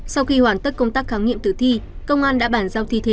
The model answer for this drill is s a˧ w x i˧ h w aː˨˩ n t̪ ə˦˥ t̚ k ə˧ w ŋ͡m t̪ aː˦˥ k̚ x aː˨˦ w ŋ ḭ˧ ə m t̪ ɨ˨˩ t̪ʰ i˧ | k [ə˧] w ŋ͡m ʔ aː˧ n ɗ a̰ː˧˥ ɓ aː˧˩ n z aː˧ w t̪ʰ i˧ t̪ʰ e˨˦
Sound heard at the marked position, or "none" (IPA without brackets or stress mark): ə˧